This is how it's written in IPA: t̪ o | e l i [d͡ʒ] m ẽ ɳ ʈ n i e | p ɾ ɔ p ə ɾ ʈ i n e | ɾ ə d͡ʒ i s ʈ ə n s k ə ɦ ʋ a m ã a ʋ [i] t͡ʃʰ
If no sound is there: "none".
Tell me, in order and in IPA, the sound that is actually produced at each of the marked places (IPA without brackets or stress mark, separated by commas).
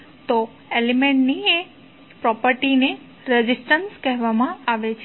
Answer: none, e